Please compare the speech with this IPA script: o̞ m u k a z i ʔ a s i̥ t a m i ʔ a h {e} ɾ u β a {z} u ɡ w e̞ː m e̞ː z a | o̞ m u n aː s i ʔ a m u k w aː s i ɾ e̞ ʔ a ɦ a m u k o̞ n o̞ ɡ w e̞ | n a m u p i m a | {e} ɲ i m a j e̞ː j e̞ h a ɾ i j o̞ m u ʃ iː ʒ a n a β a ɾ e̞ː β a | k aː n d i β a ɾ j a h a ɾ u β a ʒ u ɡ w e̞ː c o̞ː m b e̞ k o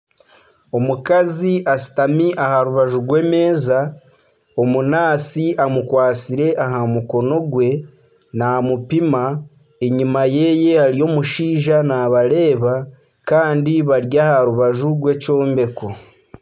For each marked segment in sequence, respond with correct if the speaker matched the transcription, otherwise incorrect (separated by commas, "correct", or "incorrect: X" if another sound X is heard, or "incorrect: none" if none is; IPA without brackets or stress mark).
incorrect: a, incorrect: ʒ, correct